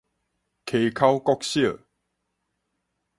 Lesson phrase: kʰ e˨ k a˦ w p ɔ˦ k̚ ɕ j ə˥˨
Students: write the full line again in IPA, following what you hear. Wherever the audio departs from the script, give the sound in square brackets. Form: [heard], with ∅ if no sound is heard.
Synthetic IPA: kʰ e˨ [kʰ] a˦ w [k] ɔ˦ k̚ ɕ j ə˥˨